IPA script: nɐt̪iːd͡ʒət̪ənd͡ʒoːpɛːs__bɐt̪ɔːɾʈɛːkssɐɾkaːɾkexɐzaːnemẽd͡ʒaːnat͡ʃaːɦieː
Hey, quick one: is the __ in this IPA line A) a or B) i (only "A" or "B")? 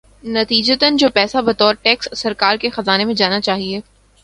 A